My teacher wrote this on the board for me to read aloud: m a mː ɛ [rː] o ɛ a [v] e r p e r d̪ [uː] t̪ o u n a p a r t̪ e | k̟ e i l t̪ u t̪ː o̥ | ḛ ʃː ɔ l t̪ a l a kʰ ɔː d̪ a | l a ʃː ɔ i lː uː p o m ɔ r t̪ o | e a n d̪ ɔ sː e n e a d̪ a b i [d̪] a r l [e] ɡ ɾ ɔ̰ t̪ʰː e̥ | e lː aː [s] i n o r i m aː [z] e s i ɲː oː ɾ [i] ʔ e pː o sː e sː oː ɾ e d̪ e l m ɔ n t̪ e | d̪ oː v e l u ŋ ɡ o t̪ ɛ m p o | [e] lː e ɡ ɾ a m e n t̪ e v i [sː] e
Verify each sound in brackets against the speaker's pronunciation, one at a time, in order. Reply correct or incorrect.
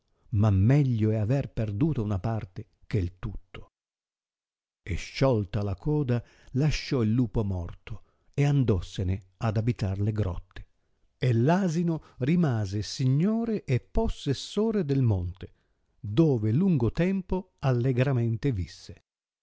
incorrect: ʎː, correct, correct, incorrect: t̪, correct, incorrect: z, correct, incorrect: e, incorrect: a, correct

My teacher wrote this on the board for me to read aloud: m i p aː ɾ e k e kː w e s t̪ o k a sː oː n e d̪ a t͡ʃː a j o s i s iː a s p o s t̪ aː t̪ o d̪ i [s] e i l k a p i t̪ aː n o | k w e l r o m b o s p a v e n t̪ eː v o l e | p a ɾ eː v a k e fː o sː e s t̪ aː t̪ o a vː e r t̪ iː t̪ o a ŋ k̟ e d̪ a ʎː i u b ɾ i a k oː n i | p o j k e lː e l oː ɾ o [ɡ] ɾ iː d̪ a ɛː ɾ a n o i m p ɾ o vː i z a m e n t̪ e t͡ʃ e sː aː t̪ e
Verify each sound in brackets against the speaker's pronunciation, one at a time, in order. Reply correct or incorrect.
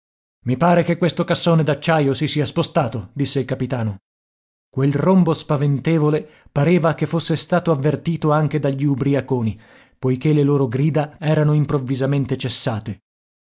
incorrect: sː, correct

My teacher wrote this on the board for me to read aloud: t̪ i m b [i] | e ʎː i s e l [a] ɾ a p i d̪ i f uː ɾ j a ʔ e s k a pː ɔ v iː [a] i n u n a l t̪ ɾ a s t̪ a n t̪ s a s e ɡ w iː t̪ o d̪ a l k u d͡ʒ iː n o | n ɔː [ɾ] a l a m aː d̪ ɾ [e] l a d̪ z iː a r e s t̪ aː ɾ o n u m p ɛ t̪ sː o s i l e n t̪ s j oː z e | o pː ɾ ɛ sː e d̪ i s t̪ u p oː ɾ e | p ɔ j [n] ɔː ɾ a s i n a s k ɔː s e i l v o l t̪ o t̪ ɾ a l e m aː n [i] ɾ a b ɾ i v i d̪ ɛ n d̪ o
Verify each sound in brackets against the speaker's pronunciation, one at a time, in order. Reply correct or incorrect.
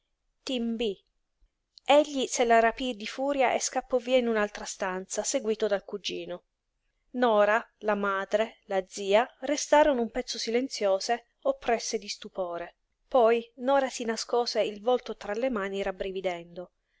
correct, correct, correct, correct, correct, correct, correct

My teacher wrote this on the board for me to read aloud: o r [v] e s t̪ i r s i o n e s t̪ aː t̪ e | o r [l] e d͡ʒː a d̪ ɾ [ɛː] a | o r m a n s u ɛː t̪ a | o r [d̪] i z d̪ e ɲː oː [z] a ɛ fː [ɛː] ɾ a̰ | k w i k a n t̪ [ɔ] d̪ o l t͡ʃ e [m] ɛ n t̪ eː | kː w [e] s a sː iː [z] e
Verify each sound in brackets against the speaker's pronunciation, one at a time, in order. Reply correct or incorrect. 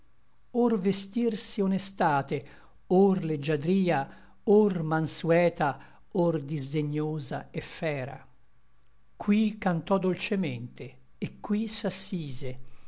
correct, correct, incorrect: iː, correct, correct, correct, correct, correct, incorrect: i, correct

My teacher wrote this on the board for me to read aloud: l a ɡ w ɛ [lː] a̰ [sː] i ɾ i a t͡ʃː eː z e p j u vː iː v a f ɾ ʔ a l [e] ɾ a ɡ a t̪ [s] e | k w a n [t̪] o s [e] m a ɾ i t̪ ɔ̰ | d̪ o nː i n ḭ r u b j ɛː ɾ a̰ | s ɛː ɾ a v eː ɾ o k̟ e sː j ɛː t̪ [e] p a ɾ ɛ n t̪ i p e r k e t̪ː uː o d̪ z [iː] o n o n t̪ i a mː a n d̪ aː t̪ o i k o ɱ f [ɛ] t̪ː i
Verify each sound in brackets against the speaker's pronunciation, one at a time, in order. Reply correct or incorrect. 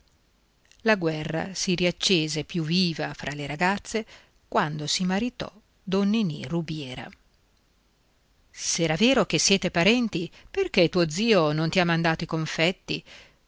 incorrect: rː, incorrect: s, correct, incorrect: sː, incorrect: d̪, incorrect: i, correct, correct, correct

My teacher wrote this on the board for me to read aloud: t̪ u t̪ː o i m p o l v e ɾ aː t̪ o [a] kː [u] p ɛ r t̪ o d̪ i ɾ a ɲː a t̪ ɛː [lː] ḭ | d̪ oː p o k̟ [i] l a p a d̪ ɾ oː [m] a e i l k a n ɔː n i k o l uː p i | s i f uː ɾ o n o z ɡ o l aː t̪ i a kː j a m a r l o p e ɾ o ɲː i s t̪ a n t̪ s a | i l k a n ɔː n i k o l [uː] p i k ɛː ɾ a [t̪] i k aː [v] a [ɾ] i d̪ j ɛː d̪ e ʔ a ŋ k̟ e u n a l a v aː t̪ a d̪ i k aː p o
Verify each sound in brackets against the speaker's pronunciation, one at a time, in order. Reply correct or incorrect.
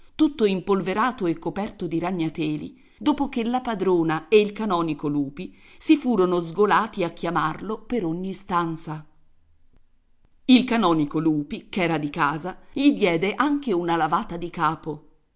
incorrect: e, incorrect: o, incorrect: l, incorrect: e, incorrect: n, correct, incorrect: d̪, incorrect: z, incorrect: ʎ

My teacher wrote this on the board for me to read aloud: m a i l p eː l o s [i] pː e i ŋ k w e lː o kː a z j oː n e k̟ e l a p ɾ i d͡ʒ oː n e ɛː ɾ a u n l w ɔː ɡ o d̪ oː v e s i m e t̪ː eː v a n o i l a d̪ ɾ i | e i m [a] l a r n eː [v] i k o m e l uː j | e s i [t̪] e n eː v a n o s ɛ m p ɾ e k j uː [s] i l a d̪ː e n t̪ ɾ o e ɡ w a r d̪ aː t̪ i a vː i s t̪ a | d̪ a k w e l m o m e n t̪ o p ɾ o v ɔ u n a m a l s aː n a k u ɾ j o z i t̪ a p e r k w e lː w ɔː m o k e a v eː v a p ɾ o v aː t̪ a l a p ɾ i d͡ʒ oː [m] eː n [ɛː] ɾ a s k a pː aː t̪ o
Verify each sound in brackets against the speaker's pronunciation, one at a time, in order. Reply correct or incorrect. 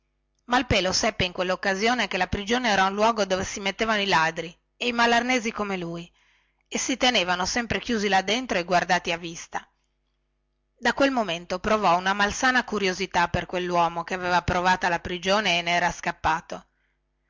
incorrect: ɛ, correct, incorrect: z, correct, incorrect: z, incorrect: n, correct

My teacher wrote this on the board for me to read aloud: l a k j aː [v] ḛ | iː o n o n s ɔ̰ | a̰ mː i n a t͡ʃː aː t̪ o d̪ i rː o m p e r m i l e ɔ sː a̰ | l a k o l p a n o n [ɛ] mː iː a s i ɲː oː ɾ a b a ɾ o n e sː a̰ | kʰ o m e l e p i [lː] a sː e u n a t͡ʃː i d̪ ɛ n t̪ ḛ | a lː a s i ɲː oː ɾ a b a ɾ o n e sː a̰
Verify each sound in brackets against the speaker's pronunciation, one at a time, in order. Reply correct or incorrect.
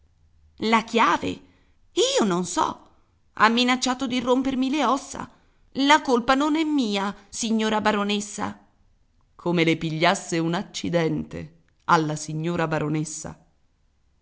correct, correct, incorrect: ʎː

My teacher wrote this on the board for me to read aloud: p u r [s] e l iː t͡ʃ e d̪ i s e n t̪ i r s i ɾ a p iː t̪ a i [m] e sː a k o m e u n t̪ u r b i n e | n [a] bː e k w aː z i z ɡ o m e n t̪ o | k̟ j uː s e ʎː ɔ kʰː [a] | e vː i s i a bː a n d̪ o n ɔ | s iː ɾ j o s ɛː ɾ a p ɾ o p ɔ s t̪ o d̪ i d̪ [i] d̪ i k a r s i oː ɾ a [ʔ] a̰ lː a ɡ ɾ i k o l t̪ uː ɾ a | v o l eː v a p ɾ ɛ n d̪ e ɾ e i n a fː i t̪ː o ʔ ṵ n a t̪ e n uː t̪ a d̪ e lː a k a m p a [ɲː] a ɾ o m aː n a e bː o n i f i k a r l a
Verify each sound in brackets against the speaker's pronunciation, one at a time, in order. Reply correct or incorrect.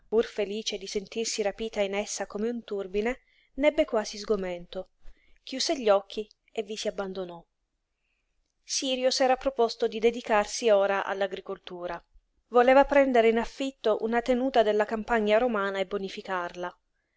incorrect: f, incorrect: n, incorrect: ɛ, incorrect: i, incorrect: e, correct, correct

